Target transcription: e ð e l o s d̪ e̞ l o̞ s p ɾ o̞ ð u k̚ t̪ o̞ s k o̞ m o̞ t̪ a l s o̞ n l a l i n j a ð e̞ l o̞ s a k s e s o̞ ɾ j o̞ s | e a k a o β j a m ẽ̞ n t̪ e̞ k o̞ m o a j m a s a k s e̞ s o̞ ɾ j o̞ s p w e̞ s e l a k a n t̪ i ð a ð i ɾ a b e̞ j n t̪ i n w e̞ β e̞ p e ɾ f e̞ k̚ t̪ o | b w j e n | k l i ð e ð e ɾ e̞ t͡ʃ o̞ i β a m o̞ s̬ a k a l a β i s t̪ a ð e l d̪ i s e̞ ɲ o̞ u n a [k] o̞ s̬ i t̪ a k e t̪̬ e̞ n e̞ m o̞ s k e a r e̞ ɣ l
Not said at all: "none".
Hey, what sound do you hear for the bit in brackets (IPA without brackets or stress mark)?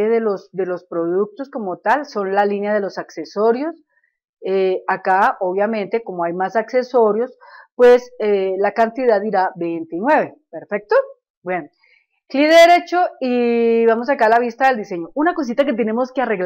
k